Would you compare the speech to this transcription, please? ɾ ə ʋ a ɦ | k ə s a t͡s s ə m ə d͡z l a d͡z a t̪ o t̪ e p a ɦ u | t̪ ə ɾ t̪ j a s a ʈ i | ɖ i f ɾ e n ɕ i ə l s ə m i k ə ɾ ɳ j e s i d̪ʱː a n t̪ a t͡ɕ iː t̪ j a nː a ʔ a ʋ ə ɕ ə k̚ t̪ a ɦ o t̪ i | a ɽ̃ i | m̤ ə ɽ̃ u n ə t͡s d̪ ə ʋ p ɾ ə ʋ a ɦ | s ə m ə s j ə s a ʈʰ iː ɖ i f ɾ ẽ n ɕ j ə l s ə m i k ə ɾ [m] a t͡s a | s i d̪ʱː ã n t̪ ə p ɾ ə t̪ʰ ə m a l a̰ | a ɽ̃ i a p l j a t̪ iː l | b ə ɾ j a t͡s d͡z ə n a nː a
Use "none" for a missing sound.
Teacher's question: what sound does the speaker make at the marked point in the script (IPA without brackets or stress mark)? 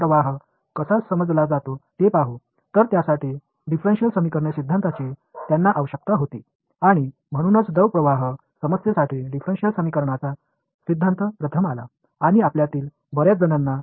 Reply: ɳ